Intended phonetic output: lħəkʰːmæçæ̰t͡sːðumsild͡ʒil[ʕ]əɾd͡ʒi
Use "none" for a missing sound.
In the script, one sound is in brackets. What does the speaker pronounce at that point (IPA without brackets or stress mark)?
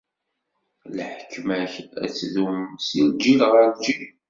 ʁ